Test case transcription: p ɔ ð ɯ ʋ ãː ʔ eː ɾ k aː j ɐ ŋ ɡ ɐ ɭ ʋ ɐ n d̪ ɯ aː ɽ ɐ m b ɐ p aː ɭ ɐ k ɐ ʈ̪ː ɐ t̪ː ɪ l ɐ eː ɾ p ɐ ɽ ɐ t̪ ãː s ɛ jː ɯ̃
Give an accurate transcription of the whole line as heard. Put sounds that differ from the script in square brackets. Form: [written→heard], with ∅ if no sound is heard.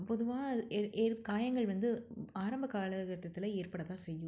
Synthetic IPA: p ɔ ð ɯ ʋ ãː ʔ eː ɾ k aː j ɐ ŋ ɡ ɐ ɭ ʋ ɐ n d̪ ɯ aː [ɽ→ɾ] ɐ m b ɐ [p→k] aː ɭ ɐ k ɐ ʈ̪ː ɐ t̪ː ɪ l ɐ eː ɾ p ɐ ɽ ɐ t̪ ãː s ɛ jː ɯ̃